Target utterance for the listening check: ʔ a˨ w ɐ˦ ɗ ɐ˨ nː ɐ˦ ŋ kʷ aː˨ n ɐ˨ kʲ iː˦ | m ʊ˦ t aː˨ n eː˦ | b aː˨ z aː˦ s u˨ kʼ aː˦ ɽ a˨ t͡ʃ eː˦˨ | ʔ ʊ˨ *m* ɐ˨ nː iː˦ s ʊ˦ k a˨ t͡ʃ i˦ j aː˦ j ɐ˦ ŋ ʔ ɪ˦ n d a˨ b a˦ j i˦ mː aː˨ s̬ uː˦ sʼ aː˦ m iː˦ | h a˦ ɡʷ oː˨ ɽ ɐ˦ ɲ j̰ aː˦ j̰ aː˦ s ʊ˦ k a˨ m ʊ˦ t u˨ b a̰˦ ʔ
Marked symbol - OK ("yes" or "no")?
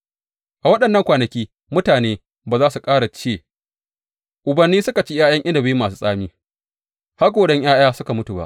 no